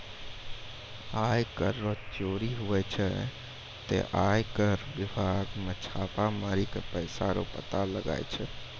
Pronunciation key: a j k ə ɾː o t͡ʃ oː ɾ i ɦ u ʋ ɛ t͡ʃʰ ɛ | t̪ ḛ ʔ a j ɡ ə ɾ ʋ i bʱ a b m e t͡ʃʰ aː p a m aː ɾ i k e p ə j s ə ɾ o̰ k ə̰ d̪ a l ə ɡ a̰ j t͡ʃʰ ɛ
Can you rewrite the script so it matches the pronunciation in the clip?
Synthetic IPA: a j k ə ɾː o t͡ʃ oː ɾ i ɦ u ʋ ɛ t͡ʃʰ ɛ | t̪ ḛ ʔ a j k ə ɾ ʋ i bʱ a ɡ m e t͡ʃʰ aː p a m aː ɾ i k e p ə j s a ɾ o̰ p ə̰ t̪ a l ə ɡ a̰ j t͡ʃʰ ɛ